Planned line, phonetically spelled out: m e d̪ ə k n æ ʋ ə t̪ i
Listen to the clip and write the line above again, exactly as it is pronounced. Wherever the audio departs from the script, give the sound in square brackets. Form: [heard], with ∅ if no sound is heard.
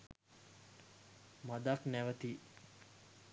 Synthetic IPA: m [a] d̪ [a] k n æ ʋ ə t̪ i